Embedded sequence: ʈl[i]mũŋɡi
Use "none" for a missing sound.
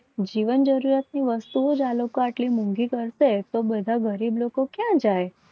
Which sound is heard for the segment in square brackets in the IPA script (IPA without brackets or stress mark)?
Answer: i